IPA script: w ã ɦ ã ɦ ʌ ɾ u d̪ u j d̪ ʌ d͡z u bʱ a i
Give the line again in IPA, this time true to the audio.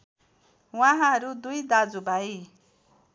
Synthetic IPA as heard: w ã ɦ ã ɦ ʌ ɾ u d̪ u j d̪ a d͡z u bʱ a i